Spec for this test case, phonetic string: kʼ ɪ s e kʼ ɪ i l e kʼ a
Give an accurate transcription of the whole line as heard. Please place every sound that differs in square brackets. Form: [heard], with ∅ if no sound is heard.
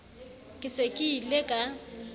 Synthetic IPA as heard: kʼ ɪ s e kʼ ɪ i l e kʼ a

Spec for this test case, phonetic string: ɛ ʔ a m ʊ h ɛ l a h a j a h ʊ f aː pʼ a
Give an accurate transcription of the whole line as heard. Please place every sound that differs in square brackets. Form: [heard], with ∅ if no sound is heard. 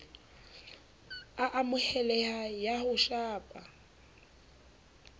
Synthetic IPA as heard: [a] ʔ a m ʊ h ɛ l [ɛ] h a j a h ʊ [ʃ] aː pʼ a

